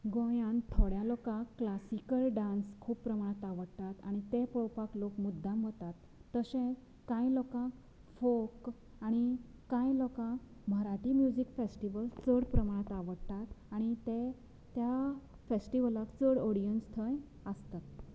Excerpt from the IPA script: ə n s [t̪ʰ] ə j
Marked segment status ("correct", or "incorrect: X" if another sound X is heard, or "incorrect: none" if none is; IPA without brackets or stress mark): correct